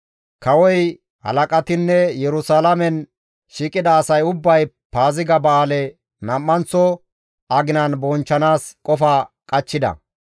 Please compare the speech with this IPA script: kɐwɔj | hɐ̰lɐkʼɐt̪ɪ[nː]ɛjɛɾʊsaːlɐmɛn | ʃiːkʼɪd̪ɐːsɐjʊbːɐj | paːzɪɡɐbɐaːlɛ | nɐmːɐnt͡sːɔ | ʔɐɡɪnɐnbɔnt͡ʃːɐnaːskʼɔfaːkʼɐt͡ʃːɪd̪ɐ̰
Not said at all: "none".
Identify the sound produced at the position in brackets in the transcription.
nː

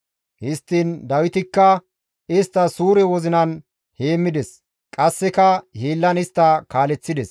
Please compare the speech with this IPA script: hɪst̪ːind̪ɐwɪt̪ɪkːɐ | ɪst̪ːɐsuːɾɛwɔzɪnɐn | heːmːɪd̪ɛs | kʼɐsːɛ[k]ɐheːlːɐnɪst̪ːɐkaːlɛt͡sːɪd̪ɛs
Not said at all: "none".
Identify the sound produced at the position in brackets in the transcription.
k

